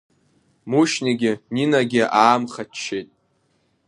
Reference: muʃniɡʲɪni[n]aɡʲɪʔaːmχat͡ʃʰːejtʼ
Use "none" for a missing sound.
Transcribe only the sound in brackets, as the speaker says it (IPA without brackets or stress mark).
n